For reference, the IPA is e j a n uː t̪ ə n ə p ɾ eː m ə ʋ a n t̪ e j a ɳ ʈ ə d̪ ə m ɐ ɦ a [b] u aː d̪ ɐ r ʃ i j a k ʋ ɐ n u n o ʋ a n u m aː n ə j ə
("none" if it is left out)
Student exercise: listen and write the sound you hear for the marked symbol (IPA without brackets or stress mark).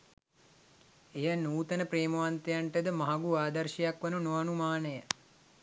ɡ